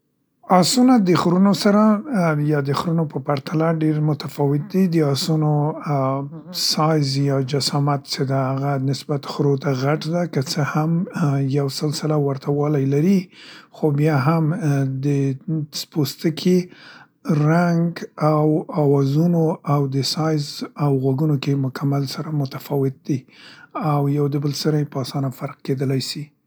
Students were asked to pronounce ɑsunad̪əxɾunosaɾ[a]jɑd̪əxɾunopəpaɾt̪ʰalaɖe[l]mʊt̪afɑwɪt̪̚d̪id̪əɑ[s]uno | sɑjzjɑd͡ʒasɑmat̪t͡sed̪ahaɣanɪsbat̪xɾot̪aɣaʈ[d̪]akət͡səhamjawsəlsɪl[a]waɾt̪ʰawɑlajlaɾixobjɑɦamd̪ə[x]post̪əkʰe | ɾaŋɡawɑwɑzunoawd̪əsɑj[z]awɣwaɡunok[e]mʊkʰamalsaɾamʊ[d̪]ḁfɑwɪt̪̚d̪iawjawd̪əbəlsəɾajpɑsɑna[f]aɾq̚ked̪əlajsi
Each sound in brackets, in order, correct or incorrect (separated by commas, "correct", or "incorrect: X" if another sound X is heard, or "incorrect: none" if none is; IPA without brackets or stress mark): correct, incorrect: ɾ, correct, correct, correct, incorrect: s, correct, correct, incorrect: t̪, correct